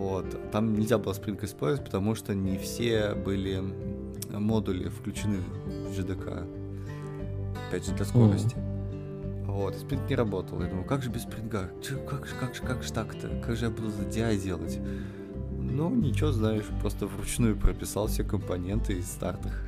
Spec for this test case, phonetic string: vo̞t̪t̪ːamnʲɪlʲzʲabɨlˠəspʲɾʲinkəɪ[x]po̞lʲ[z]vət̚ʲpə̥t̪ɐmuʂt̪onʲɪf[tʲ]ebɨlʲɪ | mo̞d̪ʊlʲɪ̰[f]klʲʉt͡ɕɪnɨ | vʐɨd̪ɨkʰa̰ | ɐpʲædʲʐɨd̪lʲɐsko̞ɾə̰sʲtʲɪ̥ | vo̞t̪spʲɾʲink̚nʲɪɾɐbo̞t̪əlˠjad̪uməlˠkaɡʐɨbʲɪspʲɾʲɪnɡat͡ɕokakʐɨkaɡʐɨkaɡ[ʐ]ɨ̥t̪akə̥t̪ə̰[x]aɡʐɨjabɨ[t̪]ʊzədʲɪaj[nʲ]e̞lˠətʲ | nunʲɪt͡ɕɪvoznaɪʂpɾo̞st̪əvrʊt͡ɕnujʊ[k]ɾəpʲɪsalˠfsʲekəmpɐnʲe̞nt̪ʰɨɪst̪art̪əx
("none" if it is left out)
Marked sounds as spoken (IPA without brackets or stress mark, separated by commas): s, z, sʲ, f, ʐ, k, d̪, dʲ, p